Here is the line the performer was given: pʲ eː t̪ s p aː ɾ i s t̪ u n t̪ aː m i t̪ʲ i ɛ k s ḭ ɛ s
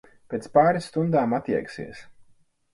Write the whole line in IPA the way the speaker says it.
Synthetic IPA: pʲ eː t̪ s p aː ɾ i s t̪ u n d̪ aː m a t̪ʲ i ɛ k s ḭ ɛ s